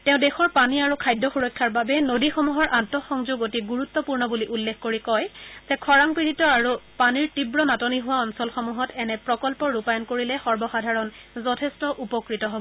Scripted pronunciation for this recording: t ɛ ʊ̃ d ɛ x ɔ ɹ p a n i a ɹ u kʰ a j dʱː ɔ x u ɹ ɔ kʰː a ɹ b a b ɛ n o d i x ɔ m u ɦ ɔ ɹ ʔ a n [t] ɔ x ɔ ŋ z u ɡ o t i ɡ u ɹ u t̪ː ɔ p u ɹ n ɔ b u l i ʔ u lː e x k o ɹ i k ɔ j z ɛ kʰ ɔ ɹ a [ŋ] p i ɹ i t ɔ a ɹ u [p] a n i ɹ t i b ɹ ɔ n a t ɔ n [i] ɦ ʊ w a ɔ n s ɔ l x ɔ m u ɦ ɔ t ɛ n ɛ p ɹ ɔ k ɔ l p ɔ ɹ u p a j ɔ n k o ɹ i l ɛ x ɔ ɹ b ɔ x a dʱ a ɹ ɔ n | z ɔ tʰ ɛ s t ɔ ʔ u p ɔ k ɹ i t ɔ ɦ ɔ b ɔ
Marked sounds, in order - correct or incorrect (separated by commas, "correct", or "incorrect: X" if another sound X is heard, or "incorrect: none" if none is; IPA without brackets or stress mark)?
correct, correct, correct, correct